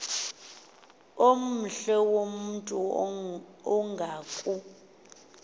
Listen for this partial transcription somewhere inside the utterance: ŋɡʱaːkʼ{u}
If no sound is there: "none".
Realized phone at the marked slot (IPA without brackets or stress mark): u